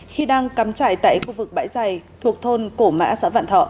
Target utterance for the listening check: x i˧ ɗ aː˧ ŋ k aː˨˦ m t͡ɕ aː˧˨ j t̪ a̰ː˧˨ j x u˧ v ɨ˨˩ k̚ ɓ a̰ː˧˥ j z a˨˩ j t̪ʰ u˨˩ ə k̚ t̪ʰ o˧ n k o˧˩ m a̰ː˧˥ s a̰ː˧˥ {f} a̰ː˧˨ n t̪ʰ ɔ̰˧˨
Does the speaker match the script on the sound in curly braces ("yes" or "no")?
no